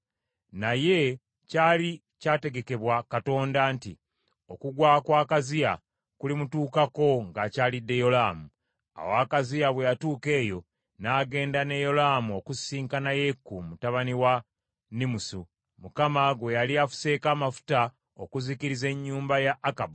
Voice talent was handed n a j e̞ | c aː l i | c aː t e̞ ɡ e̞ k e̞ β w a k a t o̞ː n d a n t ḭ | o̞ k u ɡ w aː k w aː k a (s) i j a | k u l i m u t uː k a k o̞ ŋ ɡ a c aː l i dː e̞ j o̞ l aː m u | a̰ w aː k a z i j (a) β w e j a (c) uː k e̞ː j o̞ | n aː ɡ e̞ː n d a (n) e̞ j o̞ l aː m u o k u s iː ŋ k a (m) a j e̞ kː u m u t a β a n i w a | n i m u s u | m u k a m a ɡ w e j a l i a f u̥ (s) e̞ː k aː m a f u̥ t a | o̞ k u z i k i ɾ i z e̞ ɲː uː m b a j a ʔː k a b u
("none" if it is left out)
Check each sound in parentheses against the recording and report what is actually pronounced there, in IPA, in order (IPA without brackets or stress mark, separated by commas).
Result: z, a, t, n, n, s